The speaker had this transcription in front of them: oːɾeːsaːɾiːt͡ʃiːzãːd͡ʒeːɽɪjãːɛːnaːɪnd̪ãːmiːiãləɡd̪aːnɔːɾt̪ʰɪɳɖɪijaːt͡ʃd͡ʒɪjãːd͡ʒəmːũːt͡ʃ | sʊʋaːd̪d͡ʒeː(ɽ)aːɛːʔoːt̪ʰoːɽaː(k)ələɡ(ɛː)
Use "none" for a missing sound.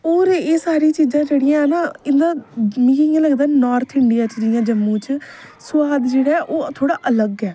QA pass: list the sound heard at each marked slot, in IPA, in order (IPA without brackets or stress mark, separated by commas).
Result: ɽ, ʔ, ɛː